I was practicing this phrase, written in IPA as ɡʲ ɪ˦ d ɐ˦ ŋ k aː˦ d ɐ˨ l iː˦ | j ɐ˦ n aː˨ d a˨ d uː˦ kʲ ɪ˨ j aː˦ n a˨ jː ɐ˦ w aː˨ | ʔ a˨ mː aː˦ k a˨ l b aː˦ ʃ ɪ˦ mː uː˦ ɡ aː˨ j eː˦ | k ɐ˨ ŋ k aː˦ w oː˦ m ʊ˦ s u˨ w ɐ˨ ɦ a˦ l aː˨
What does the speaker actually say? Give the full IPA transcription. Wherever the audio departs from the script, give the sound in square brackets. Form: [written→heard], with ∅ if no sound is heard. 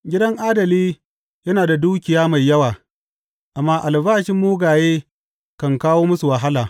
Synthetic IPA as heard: ɡʲ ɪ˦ d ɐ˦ ŋ [k→ʔ] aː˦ d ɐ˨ l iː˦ | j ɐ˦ n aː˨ d a˨ d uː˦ kʲ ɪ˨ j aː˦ [n→m] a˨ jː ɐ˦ w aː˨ | ʔ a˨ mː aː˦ [k→ʔ] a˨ l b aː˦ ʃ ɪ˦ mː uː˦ ɡ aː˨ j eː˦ | k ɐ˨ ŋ k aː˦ w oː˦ m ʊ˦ s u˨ w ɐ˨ ɦ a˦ l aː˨